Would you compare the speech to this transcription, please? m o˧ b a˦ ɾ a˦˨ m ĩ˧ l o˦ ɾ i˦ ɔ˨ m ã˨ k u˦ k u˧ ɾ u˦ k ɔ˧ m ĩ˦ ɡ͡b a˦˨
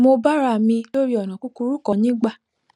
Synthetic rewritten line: m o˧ b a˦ ɾ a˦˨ m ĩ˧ l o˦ ɾ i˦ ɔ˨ n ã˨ k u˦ k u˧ ɾ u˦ k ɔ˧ n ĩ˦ ɡ͡b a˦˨

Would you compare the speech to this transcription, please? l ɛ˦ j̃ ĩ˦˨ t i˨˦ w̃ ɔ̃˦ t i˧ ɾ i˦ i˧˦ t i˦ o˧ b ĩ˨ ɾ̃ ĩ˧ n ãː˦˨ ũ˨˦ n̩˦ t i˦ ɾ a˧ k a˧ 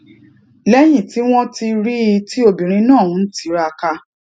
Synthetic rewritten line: l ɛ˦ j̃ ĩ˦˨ t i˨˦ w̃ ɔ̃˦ t i˧ ɾ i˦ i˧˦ t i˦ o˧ b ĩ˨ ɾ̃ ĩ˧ n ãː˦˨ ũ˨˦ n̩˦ t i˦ ɾ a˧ k a˧

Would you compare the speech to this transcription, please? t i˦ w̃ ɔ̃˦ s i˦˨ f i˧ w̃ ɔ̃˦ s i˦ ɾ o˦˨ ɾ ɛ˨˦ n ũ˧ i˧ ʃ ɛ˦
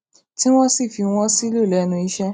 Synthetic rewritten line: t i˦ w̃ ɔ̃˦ s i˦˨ f i˧ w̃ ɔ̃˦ s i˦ l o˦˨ l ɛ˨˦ n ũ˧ i˧ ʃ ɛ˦

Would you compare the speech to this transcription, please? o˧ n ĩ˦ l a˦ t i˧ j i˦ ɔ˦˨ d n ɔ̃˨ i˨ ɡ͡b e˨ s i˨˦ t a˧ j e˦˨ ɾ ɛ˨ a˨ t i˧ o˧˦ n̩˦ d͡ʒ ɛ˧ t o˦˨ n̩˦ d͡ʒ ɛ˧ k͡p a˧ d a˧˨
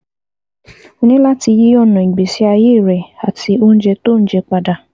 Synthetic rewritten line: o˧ n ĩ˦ l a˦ t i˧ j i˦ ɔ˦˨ n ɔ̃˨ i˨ ɡ͡b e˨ s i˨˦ a˧ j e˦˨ ɾ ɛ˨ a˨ t i˧ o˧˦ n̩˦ d͡ʒ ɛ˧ t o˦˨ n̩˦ d͡ʒ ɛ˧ k͡p a˧ d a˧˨

